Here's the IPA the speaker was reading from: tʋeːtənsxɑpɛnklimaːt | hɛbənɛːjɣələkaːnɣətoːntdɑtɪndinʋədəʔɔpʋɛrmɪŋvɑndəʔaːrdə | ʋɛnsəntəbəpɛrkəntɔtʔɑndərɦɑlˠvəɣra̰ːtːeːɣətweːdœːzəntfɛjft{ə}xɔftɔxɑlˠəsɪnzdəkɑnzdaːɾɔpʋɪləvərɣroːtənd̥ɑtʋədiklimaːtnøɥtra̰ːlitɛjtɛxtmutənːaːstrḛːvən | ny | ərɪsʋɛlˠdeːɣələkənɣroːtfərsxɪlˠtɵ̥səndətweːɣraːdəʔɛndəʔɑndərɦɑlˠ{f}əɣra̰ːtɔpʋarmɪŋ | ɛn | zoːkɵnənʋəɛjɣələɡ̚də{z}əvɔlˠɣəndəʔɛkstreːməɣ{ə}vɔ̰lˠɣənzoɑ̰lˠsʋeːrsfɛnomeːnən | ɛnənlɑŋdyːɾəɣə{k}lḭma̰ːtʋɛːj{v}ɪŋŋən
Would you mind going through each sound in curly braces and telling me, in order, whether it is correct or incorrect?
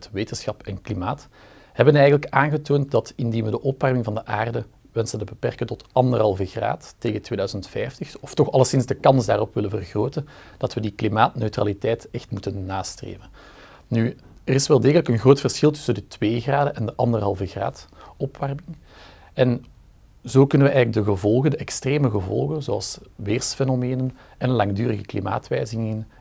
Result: correct, incorrect: v, incorrect: ɣ, correct, correct, incorrect: z

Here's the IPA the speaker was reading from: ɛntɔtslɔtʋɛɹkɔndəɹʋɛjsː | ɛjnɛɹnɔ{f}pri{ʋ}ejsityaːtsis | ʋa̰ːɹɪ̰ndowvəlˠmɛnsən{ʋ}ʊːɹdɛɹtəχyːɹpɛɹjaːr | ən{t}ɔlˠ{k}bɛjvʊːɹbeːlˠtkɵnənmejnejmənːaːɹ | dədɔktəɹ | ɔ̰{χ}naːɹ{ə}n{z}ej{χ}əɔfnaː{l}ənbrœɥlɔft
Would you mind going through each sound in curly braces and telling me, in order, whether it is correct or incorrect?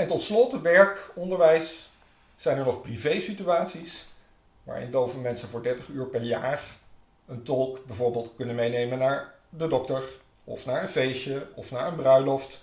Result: incorrect: χ, incorrect: v, incorrect: v, correct, correct, incorrect: f, correct, incorrect: v, incorrect: ʃ, incorrect: ɹ

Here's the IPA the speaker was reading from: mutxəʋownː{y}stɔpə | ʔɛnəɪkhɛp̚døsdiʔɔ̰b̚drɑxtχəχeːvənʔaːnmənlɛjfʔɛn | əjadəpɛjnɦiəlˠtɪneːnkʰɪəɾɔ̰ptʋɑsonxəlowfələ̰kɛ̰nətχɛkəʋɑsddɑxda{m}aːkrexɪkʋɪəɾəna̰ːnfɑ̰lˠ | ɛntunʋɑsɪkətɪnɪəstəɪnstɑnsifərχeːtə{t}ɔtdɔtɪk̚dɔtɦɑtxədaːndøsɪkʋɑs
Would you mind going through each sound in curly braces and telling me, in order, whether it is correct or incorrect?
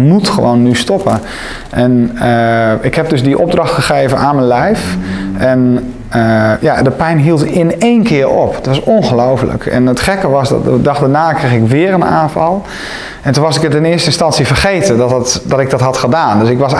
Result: correct, incorrect: n, incorrect: d

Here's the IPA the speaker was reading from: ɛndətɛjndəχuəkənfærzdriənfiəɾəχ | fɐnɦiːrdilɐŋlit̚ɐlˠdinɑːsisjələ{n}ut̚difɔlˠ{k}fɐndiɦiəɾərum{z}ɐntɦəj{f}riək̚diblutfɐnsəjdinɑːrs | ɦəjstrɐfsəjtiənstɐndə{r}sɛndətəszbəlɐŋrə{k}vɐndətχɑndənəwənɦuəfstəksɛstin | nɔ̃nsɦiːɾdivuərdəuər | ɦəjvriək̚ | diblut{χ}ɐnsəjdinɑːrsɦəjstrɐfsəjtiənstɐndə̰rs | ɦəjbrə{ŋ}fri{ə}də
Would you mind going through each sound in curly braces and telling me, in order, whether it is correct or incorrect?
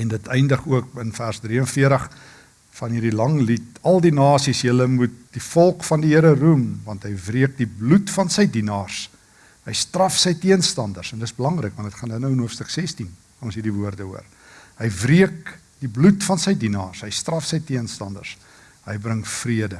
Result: incorrect: m, correct, incorrect: v, incorrect: v, correct, correct, incorrect: f, correct, correct

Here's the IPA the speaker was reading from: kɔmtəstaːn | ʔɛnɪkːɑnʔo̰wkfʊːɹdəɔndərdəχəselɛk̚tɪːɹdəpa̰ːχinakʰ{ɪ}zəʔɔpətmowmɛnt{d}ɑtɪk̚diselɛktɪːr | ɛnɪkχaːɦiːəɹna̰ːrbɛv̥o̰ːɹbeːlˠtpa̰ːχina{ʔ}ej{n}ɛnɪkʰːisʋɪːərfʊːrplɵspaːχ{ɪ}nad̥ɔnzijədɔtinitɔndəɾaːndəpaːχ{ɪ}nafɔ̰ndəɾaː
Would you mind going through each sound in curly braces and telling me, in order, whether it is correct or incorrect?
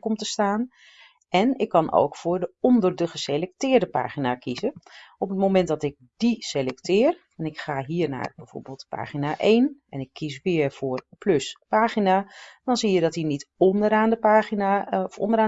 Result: incorrect: i, correct, correct, correct, incorrect: i, incorrect: i

